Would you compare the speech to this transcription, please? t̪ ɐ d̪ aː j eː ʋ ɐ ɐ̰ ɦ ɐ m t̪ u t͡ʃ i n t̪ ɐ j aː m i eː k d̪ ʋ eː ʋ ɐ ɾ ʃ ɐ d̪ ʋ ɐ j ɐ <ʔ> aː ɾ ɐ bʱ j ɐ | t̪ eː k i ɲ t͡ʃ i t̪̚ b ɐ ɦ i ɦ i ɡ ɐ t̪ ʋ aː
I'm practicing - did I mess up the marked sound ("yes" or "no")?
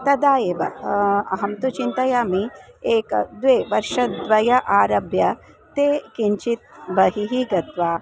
no